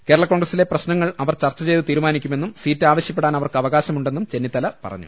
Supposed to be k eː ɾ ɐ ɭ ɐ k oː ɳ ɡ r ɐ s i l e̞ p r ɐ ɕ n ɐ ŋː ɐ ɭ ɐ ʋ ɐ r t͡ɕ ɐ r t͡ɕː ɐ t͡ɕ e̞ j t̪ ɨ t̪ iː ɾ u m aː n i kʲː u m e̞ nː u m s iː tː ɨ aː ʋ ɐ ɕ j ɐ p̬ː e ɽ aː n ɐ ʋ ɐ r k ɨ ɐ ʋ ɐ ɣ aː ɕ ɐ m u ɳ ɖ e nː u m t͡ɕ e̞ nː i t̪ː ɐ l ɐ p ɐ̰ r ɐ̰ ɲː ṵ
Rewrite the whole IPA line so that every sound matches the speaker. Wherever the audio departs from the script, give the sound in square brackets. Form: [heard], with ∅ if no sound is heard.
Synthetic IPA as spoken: k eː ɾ ɐ ɭ ɐ k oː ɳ ɡ r ɐ s i l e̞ p r ɐ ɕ n ɐ ŋː ɐ ɭ ɐ ʋ ɐ r t͡ɕ ɐ r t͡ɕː ɐ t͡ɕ e̞ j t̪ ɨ t̪ iː ɾ u m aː n i kʲː u m e̞ nː u m s iː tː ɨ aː ʋ ɐ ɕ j ɐ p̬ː e ɽ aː n ɐ ʋ ɐ r k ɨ ɐ ʋ ɐ ɣ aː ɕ ɐ m u ɳ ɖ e nː u m t͡ɕ e̞ nː i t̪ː ɐ l ɐ p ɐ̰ r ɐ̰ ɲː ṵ